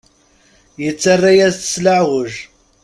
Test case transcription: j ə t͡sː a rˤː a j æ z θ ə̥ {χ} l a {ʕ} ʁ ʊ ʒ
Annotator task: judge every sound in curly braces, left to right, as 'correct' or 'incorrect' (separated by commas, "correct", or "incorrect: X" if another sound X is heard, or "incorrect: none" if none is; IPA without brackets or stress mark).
incorrect: s, correct